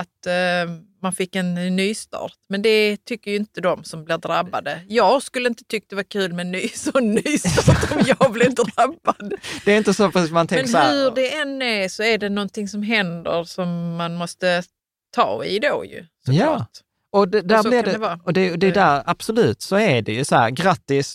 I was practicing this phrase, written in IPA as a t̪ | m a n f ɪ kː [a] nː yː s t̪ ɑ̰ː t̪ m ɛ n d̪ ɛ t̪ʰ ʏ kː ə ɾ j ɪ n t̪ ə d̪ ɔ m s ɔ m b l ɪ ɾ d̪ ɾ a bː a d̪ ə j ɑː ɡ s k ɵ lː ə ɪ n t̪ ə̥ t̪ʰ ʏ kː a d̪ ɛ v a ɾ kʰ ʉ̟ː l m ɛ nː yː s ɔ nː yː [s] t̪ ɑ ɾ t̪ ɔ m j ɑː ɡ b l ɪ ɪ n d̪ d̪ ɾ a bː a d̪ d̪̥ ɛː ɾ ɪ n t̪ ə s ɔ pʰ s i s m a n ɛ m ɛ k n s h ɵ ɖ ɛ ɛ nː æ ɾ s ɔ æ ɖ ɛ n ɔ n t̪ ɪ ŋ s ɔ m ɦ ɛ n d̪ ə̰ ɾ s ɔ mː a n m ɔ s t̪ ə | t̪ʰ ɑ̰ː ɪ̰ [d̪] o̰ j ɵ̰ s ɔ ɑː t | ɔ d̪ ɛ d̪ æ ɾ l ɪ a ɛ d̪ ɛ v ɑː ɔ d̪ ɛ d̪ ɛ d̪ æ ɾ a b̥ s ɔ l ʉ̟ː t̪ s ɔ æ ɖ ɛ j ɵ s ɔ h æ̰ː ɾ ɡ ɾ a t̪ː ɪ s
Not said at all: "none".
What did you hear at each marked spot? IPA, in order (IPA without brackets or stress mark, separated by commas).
ɛ, s, d̪